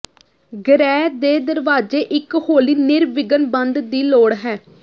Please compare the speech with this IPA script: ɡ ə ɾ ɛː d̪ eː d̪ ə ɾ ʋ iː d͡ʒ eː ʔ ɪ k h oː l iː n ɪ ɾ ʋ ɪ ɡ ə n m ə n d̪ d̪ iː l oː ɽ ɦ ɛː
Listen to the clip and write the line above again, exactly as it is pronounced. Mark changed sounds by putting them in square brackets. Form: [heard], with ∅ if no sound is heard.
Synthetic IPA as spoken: ɡ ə ɾ ɛː d̪ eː d̪ ə ɾ ʋ [aː] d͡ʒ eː ʔ ɪ k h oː l iː n ɪ ɾ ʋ ɪ ɡ ə n [b] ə n d̪ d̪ iː l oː ɽ ɦ ɛː

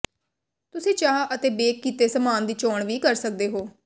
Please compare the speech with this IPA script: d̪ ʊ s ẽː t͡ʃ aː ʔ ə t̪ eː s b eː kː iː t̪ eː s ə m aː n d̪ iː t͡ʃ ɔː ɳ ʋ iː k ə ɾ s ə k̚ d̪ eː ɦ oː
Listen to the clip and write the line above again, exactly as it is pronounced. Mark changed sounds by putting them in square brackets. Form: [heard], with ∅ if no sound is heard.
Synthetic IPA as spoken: [t̪] ʊ s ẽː t͡ʃ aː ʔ ə t̪ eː [∅] b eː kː iː t̪ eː s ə m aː n d̪ iː t͡ʃ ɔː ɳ ʋ iː k ə ɾ s ə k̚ d̪ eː ɦ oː

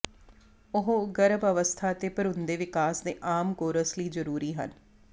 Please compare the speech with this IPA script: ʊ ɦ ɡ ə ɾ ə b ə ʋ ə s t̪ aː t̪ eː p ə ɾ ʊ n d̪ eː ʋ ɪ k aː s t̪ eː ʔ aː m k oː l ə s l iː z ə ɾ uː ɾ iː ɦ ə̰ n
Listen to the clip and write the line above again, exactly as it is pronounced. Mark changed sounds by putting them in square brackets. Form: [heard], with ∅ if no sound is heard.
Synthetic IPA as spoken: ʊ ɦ ɡ ə ɾ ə b ə ʋ ə s [t̪ʰ] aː t̪ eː p ə ɾ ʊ n d̪ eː ʋ ɪ k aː s [d̪] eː ʔ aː m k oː [ɾ] ə s l iː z ə ɾ uː ɾ iː ɦ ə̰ n

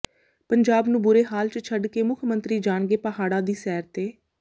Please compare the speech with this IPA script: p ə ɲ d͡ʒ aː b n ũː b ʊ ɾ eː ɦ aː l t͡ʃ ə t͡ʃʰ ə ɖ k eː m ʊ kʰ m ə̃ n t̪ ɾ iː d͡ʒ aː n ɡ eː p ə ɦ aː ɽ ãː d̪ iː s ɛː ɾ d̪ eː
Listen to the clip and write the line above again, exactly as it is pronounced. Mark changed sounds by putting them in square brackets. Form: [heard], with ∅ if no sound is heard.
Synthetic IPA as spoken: p ə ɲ d͡ʒ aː b n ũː b ʊ ɾ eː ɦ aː l t͡ʃ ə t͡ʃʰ ə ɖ k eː m ʊ kʰ m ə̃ n t̪ ɾ iː d͡ʒ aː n ɡ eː p ə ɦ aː ɽ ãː d̪ iː s ɛː ɾ [t̪] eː

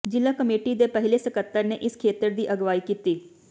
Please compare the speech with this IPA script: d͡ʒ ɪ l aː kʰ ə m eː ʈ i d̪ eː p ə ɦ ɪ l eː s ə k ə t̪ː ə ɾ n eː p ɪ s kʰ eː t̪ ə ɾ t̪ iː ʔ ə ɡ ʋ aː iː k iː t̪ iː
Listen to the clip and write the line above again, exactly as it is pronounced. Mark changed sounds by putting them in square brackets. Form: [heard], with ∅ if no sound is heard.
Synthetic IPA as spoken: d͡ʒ ɪ l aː [k] ə m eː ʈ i d̪ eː p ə ɦ ɪ l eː s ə k ə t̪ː ə ɾ n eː [ʔ] ɪ s kʰ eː t̪ ə ɾ [d̪] iː ʔ ə ɡ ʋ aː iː k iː t̪ iː

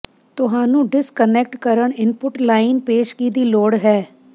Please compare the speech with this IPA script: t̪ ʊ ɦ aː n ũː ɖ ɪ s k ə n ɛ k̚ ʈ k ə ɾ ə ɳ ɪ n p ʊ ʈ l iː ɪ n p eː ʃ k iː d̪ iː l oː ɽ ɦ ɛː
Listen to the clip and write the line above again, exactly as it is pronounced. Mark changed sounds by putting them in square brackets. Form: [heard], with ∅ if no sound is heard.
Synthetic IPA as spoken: t̪ ʊ ɦ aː n ũː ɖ ɪ s k ə n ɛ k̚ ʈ k ə ɾ ə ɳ ɪ n p ʊ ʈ l [aː] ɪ n p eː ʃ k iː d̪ iː l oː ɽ ɦ ɛː

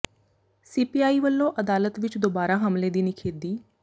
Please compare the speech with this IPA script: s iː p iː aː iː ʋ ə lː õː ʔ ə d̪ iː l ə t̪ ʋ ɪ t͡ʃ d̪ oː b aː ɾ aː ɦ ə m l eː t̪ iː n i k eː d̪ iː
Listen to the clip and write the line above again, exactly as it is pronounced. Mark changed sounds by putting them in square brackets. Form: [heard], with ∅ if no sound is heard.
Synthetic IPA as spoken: s iː p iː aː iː ʋ ə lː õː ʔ ə d̪ [aː] l ə t̪ ʋ ɪ t͡ʃ d̪ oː b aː ɾ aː ɦ ə m l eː [d̪] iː n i [kʰ] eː d̪ iː

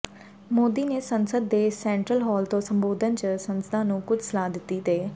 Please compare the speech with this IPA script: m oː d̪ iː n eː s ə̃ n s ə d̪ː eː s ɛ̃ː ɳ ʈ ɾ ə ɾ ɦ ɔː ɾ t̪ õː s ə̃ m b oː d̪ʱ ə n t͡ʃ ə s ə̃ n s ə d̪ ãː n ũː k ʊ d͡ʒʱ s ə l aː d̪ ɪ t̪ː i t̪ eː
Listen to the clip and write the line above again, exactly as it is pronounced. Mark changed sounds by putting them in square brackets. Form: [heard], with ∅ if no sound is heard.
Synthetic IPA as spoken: m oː d̪ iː n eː s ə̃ n s ə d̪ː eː s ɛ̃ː ɳ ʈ ɾ ə [l] ɦ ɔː [l] t̪ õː s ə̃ m b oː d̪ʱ ə n t͡ʃ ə s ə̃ n s ə d̪ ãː n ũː k ʊ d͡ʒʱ s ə l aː d̪ ɪ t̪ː i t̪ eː

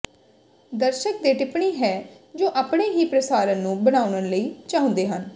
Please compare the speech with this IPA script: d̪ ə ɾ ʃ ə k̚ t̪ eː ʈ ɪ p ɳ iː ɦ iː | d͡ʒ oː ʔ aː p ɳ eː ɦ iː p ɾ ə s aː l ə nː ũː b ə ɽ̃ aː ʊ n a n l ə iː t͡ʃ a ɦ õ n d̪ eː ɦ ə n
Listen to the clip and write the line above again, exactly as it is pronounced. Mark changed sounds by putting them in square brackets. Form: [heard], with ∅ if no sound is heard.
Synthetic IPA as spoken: d̪ ə ɾ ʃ ə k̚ [d̪] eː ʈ ɪ p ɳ iː ɦ [ɛː] | d͡ʒ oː ʔ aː p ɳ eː ɦ iː p ɾ ə s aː [ɾ] ə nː ũː b ə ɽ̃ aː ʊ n [ə] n l ə iː t͡ʃ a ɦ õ n d̪ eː ɦ ə n

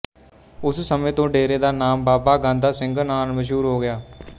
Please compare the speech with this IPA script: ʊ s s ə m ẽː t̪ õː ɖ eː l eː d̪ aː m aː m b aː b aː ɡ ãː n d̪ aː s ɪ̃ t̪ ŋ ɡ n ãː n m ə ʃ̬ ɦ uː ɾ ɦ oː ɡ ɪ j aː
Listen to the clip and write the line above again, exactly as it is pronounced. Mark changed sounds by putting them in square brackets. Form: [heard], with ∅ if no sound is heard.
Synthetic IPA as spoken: ʊ s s ə m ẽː t̪ õː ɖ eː [ɾ] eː d̪ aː [n] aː m b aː b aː ɡ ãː n d̪ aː s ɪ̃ [∅] ŋ ɡ n [aː] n m ə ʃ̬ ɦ uː ɾ ɦ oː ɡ ɪ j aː

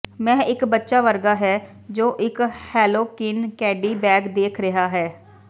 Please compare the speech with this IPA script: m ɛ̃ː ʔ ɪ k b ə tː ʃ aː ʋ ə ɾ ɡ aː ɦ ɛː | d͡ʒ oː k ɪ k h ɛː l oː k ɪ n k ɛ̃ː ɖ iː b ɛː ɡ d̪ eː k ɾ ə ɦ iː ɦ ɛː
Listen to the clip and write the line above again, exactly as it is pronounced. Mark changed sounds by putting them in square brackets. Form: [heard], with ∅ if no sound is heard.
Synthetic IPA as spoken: m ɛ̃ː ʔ ɪ k b ə tː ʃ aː ʋ ə ɾ ɡ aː ɦ ɛː | d͡ʒ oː [ʔ] ɪ k h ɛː l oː k ɪ n k [ɛː] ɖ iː b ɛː ɡ d̪ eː [kʰ] ɾ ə ɦ [aː] ɦ ɛː

